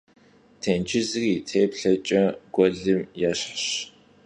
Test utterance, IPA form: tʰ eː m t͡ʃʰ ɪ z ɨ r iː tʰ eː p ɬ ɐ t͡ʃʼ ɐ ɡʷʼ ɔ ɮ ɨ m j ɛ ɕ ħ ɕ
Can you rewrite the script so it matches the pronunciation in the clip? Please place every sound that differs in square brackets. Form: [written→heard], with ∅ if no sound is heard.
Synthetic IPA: tʰ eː [m→n] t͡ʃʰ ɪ z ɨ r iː tʰ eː p ɬ ɐ t͡ʃʼ ɐ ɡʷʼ ɔ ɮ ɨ m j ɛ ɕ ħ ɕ